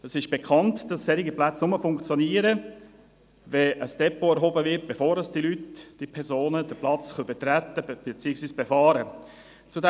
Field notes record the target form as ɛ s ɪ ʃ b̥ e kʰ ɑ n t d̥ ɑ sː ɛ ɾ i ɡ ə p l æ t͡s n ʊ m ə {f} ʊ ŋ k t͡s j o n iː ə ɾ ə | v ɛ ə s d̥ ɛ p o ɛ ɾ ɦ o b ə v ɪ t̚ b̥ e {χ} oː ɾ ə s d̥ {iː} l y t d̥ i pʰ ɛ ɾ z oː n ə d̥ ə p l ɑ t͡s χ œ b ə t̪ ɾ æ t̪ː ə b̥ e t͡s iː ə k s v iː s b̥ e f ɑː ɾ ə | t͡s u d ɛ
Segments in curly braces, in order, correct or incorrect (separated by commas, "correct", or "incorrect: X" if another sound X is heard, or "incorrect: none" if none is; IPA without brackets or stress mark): correct, incorrect: f, incorrect: i